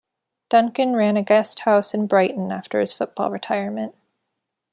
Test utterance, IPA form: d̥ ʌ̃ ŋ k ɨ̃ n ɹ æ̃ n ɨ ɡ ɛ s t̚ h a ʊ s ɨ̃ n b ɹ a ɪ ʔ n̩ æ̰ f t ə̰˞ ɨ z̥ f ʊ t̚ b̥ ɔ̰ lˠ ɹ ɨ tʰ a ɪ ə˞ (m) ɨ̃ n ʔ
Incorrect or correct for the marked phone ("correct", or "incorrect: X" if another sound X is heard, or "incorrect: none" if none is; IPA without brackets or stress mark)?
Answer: correct